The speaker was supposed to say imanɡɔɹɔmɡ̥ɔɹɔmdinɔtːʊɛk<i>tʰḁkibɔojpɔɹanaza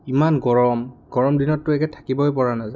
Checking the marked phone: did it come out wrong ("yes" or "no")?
yes